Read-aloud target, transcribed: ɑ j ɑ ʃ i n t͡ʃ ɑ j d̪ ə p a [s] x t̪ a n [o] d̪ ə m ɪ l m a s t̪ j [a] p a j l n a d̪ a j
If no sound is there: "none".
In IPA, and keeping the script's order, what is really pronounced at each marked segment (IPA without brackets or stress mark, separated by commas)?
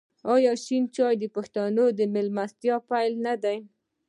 none, o, ɑ